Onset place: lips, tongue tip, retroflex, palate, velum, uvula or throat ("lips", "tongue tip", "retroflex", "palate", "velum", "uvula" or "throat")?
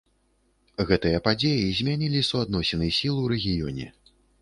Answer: velum